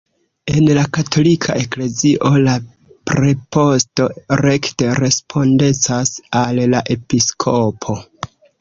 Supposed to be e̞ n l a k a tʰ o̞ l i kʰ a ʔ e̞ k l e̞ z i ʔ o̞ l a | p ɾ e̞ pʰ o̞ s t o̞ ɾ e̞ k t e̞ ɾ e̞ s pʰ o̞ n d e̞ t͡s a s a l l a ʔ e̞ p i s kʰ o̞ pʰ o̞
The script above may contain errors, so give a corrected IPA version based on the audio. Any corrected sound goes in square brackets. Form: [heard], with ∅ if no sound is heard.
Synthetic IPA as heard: e̞ n l a k a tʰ o̞ l i kʰ a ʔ e̞ k l e̞ z i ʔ o̞ l a | p ɾ e̞ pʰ o̞ s t o̞ ɾ e̞ k t e̞ ɾ e̞ s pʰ o̞ n d e̞ t͡s a s a l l a ʔ e̞ p i s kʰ o̞ pʰ o̞